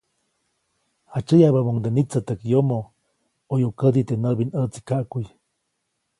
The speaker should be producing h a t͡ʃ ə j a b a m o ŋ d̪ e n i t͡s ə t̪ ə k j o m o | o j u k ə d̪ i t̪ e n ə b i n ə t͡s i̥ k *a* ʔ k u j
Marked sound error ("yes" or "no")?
no